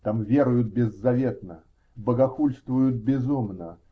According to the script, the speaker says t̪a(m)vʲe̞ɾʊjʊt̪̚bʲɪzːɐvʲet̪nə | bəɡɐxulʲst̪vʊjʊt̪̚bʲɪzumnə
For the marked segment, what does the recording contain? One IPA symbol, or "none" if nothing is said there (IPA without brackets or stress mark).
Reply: m